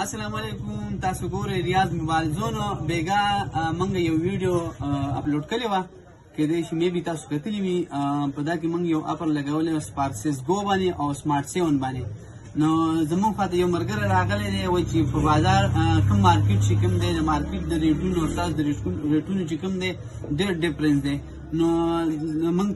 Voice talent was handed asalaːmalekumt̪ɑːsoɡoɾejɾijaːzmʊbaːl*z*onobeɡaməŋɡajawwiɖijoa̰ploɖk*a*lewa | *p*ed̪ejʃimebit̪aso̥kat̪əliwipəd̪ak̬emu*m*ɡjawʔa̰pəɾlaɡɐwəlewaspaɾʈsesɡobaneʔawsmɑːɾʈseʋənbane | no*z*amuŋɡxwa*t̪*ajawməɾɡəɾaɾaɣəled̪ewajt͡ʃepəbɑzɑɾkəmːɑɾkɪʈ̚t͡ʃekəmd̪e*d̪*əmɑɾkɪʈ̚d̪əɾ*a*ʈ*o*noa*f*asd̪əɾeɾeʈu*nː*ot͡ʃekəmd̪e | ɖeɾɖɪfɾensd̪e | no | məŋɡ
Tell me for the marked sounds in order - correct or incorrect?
correct, incorrect: ə, incorrect: k, incorrect: ŋ, correct, correct, correct, incorrect: e, incorrect: u, incorrect: s, incorrect: n

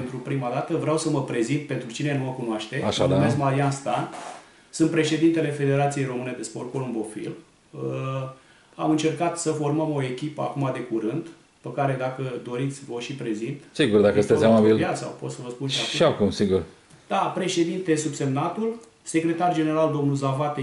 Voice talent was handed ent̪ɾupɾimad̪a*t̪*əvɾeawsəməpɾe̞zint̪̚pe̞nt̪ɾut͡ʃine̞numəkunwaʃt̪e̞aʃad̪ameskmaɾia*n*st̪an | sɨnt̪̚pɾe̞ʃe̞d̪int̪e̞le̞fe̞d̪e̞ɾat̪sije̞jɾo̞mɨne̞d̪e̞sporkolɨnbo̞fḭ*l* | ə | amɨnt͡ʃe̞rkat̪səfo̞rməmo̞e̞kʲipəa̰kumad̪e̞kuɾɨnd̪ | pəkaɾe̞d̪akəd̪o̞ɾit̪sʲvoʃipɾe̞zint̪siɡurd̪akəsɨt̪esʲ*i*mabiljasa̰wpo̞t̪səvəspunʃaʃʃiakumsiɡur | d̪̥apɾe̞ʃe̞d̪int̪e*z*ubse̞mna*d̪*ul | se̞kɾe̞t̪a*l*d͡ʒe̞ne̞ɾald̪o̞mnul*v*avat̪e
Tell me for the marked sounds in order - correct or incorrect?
correct, correct, correct, incorrect: a, incorrect: s, incorrect: t̪, incorrect: r, incorrect: z

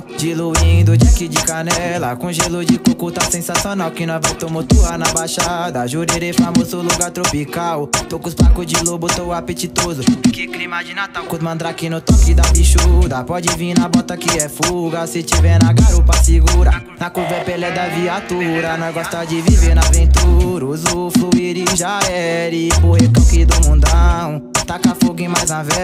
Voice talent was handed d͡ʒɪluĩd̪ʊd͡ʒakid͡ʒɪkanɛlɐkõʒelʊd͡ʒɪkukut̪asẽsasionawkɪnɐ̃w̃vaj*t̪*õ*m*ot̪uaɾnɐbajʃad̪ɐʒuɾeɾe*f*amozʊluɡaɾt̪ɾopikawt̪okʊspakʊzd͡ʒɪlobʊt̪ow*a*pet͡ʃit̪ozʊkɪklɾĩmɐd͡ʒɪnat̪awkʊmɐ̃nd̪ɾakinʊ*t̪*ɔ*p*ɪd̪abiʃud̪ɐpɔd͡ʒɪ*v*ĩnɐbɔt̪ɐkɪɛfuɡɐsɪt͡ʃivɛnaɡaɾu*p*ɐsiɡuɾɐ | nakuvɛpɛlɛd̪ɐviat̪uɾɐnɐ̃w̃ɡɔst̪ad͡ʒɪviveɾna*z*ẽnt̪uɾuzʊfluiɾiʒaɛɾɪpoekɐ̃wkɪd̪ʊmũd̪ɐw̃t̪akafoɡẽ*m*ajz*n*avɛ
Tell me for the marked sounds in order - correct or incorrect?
correct, correct, correct, correct, correct, incorrect: k, correct, correct, incorrect: v, correct, correct

